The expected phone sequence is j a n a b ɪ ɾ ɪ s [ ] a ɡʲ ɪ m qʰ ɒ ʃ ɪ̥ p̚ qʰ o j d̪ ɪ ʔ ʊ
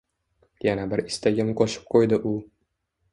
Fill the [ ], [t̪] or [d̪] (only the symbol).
t̪